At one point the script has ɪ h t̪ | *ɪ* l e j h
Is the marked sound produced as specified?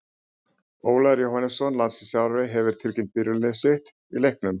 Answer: no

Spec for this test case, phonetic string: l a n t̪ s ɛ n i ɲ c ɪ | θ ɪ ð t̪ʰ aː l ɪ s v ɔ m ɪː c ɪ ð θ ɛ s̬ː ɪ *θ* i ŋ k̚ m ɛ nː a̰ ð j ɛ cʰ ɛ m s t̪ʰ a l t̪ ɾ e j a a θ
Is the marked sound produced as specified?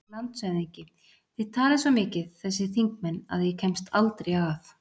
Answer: yes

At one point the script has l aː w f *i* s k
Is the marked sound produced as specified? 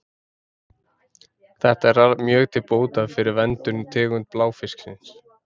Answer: no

